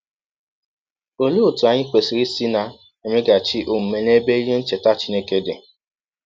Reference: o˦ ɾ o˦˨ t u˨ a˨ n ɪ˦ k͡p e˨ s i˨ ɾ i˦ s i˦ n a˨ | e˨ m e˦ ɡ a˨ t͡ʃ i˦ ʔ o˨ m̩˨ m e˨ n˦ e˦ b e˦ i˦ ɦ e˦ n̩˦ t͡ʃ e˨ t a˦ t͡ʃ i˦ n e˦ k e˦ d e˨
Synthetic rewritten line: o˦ l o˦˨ t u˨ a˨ ɲ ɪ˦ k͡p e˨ s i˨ ɾ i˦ s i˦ n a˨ | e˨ m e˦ ɡ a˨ t͡ʃ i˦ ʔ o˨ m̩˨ m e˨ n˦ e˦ b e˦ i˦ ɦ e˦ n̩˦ t͡ʃ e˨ t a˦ t͡ʃ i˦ n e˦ k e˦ d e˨

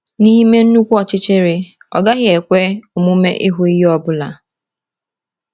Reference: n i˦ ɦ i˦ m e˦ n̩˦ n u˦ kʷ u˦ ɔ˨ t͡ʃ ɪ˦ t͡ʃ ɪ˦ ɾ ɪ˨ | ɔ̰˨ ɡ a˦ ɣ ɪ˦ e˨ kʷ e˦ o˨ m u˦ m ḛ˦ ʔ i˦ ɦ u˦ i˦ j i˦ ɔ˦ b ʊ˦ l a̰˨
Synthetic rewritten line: n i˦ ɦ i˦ m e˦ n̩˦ n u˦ kʷ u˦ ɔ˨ t͡ʃ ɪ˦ t͡ʃ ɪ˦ ɾ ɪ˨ | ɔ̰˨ ɡ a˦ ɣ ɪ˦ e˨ kʷ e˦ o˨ m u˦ m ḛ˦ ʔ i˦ ɦ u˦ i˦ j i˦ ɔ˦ b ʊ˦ l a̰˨

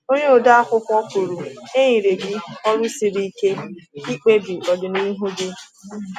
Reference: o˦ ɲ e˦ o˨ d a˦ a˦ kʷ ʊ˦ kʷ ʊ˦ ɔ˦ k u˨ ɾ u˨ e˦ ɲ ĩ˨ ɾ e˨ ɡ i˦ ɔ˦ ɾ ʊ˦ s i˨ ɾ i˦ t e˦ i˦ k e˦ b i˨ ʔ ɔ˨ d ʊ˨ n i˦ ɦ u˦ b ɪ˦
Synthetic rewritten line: o˦ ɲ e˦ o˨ d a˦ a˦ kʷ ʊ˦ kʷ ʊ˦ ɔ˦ k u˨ ɾ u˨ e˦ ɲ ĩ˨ ɾ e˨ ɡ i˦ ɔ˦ ɾ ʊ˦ s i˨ ɾ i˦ k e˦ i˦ k͡p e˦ b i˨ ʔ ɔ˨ d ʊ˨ n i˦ ɦ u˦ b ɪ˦

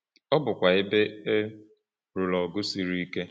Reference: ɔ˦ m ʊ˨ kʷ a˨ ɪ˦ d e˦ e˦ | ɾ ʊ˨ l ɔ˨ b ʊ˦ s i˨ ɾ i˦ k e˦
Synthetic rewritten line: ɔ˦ b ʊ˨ kʷ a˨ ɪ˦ b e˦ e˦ | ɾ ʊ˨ l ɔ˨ ɡ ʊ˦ s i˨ ɾ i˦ k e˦

